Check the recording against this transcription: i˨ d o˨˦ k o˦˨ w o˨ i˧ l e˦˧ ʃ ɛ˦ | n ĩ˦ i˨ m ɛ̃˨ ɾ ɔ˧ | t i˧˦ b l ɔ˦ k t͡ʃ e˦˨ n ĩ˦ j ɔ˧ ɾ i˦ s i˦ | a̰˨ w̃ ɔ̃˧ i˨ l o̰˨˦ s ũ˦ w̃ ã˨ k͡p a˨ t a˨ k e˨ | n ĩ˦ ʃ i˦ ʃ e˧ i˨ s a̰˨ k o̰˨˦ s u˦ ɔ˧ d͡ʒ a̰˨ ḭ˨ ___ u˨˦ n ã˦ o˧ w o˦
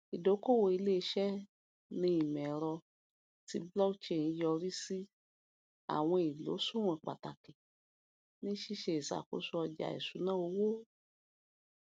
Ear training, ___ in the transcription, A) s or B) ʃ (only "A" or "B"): A